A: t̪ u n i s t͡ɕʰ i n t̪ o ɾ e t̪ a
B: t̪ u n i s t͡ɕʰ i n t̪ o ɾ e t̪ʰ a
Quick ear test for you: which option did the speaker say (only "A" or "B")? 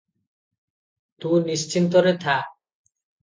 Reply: B